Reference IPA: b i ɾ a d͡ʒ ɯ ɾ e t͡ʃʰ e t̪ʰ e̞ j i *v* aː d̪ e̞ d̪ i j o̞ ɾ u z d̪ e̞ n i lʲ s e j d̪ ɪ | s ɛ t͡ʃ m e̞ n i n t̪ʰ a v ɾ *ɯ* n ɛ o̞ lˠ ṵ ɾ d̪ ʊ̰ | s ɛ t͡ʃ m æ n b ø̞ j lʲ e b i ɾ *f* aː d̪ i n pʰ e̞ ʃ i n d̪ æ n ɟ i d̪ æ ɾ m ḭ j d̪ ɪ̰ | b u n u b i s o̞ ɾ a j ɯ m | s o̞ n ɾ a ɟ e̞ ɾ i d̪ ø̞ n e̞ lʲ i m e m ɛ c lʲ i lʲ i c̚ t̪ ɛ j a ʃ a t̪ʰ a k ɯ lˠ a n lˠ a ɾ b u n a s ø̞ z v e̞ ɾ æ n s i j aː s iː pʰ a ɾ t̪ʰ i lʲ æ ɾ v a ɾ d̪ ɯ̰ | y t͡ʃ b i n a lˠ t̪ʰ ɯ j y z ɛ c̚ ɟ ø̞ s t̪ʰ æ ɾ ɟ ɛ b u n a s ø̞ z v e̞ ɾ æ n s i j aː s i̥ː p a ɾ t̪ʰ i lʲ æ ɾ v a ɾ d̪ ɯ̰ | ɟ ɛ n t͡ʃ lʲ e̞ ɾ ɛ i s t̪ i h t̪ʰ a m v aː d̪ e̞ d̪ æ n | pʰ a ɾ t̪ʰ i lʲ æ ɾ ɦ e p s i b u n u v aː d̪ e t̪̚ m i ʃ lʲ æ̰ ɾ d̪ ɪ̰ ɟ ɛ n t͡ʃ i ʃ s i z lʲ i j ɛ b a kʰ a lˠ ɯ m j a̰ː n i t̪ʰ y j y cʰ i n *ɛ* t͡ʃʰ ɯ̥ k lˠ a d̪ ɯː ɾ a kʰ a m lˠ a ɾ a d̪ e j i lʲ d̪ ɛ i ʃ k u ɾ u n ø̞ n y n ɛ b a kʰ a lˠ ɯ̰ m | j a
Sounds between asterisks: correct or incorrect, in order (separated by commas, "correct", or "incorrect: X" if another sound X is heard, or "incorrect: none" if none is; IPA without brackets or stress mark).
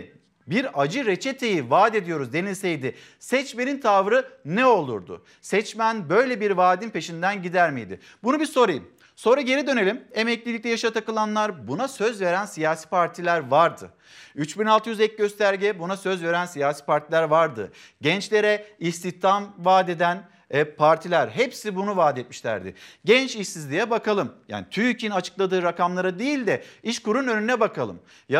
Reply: correct, correct, incorrect: v, incorrect: a